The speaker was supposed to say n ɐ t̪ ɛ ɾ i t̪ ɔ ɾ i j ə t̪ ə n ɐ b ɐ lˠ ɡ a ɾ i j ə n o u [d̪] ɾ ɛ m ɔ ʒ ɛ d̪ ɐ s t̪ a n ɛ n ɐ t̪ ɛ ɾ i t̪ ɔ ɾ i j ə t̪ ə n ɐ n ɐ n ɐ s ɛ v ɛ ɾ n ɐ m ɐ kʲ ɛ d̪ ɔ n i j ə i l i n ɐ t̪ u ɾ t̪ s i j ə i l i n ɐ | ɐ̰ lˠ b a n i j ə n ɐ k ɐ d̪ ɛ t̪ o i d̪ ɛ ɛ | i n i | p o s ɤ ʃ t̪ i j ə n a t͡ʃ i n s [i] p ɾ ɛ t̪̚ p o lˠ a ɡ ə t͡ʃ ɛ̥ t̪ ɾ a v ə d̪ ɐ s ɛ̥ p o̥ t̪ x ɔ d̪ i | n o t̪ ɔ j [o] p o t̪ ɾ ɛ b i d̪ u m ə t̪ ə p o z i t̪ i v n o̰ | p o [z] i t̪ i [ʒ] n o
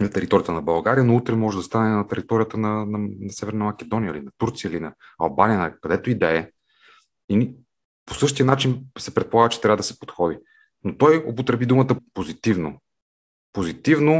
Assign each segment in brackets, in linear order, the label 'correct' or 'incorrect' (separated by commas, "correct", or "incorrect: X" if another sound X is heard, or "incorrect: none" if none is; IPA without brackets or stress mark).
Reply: incorrect: t̪, incorrect: ɛ, correct, correct, incorrect: v